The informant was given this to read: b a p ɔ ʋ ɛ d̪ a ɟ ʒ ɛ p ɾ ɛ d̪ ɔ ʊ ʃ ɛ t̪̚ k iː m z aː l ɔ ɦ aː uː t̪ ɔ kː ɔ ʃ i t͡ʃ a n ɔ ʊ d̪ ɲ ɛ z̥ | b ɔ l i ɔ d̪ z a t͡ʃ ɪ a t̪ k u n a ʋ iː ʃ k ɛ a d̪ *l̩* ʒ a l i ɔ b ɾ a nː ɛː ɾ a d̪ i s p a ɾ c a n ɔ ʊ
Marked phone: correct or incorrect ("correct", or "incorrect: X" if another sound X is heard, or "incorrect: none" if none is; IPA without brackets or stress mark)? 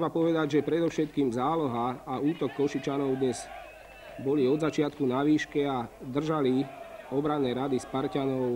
incorrect: r̩